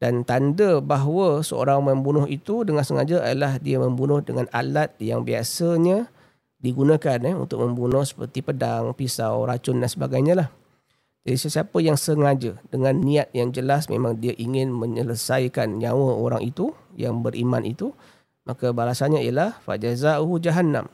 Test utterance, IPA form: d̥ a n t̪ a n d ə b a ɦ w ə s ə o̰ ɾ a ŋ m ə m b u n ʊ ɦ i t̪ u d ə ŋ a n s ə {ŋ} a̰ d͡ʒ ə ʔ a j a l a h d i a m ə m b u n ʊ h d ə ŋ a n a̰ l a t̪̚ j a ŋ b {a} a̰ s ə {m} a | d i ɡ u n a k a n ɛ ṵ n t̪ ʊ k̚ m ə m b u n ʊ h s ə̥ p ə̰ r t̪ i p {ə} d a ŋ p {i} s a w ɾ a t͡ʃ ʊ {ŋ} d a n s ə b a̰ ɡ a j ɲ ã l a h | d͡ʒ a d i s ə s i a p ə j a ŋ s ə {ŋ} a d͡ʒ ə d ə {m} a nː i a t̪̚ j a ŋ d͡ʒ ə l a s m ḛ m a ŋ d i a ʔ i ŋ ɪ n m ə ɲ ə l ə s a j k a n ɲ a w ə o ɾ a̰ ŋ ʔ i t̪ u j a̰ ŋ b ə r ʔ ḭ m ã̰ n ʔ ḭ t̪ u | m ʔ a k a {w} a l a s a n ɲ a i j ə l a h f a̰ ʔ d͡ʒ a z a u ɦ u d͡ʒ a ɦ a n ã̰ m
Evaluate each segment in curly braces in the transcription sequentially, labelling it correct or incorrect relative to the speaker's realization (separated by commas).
correct, incorrect, incorrect, correct, correct, incorrect, correct, incorrect, incorrect